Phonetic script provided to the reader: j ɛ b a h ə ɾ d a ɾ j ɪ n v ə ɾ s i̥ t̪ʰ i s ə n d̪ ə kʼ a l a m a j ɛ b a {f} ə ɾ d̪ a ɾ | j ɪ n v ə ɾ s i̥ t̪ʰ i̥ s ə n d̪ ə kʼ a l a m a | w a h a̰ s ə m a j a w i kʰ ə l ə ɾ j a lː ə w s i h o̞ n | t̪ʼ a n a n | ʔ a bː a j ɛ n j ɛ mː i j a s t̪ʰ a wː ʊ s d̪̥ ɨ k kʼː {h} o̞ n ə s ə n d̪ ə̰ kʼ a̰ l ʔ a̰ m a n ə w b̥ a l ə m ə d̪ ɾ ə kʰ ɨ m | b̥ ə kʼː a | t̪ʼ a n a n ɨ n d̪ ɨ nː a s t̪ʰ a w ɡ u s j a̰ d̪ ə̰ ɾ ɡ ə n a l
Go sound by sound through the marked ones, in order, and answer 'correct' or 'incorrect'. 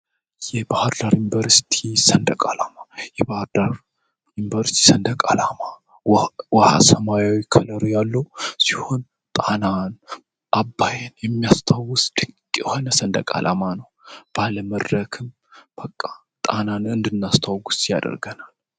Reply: incorrect: h, correct

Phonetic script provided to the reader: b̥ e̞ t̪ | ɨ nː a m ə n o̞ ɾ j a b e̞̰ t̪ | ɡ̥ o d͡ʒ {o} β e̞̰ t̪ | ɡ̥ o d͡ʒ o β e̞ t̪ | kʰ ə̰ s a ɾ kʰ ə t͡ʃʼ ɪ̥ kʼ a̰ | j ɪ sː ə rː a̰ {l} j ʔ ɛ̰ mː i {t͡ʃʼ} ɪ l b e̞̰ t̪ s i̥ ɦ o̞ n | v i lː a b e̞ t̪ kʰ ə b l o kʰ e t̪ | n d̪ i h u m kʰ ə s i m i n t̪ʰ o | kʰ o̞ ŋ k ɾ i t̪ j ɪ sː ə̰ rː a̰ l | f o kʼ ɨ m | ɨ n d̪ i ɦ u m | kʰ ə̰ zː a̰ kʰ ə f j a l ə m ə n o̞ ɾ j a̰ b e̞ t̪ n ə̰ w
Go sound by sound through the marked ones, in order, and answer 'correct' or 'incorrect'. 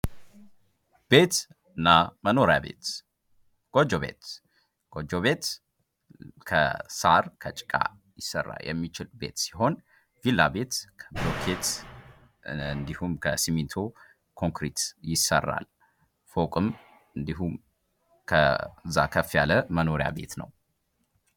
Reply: correct, correct, incorrect: t͡ʃ

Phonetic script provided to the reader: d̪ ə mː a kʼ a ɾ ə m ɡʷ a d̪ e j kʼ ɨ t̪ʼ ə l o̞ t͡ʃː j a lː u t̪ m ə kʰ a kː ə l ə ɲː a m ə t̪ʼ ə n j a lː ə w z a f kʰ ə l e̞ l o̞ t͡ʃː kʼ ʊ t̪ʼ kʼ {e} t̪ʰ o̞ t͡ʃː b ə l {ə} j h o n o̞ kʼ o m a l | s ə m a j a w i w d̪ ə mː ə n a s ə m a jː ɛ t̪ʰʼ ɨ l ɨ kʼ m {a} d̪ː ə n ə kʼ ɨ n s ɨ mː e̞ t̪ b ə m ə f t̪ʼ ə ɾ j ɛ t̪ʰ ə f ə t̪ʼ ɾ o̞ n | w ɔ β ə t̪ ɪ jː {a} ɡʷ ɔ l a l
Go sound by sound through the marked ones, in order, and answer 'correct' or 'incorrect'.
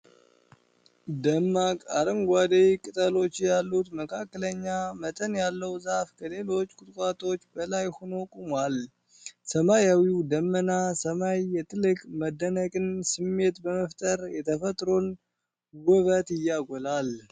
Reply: incorrect: a, incorrect: a, incorrect: ə, correct

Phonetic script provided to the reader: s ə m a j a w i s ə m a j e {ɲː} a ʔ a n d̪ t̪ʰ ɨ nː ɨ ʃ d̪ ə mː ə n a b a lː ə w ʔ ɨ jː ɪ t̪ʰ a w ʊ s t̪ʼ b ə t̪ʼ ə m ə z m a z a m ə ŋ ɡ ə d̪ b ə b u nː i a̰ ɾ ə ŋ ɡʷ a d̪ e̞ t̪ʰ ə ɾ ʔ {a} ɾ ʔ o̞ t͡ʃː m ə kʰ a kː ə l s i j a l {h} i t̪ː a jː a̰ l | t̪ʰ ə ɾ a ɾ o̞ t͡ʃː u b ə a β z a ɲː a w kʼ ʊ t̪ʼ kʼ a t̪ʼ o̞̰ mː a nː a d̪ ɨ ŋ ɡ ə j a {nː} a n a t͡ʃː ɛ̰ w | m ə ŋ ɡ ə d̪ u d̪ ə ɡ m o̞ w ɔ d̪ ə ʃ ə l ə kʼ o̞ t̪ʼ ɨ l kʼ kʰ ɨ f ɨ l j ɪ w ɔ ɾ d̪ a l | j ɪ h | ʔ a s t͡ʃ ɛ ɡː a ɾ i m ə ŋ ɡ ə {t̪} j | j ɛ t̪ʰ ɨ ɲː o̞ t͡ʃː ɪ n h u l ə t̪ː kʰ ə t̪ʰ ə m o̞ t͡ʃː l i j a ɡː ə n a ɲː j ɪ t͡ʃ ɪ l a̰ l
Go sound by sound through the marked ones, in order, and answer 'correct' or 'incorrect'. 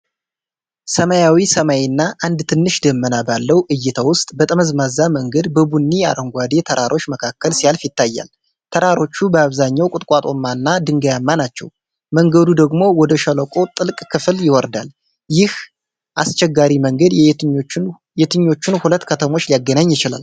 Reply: incorrect: nː, correct, incorrect: f, incorrect: mː, incorrect: d̪

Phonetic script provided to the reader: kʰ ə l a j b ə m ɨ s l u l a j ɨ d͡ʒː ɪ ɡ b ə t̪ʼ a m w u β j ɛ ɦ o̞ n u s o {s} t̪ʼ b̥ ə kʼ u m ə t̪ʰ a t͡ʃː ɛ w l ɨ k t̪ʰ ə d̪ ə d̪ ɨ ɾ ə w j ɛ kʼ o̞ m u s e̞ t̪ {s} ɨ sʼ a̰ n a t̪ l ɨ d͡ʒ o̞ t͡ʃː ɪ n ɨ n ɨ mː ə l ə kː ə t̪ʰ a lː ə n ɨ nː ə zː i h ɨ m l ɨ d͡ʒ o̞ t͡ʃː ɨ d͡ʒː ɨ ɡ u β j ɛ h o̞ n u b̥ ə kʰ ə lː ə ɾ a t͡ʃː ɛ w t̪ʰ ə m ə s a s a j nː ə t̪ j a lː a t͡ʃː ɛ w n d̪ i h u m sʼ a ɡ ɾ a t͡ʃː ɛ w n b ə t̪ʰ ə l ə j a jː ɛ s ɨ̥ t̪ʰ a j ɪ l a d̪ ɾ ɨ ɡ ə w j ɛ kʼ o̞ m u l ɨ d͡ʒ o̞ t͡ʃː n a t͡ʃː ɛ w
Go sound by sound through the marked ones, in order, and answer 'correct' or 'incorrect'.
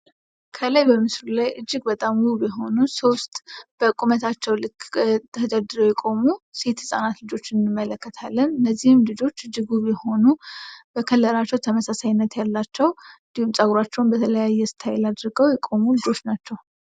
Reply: correct, incorrect: h

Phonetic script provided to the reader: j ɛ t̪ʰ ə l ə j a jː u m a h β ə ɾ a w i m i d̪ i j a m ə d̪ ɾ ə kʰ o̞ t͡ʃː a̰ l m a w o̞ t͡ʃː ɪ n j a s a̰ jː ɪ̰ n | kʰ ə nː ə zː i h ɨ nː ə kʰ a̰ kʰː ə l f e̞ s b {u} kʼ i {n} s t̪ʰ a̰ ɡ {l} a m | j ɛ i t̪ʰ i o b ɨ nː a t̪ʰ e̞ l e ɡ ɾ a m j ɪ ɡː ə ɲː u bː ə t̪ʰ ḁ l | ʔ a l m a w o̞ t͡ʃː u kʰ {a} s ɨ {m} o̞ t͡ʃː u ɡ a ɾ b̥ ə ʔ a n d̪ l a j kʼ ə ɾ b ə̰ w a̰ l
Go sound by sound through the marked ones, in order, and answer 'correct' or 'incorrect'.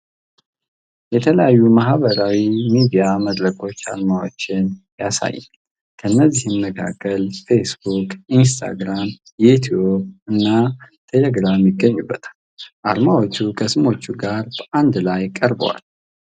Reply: correct, correct, incorrect: ɾ, incorrect: ə, correct

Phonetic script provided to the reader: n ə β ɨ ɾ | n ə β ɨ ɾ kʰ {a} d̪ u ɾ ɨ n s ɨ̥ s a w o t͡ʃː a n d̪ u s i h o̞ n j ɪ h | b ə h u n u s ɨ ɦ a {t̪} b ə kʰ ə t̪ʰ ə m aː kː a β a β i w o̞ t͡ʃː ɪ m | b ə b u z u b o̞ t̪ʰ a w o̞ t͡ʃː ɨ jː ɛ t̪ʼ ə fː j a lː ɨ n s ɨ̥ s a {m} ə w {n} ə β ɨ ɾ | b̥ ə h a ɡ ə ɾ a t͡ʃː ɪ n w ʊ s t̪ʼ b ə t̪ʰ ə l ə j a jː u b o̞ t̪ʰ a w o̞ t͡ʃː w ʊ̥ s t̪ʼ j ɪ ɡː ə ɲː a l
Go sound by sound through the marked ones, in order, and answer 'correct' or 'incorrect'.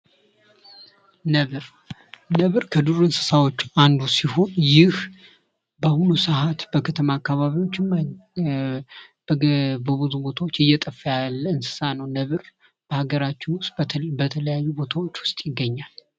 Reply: incorrect: ə, correct, incorrect: n, correct

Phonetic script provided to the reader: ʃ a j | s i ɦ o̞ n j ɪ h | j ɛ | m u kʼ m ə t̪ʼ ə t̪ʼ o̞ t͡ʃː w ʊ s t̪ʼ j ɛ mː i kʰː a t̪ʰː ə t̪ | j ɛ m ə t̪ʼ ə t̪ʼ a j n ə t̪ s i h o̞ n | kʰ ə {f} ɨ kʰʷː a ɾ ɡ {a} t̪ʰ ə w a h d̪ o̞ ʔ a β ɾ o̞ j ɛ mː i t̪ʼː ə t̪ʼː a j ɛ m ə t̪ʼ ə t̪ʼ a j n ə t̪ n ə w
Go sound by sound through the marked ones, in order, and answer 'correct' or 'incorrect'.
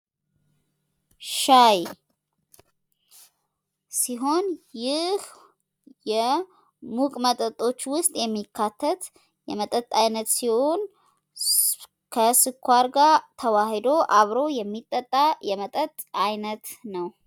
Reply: incorrect: s, correct

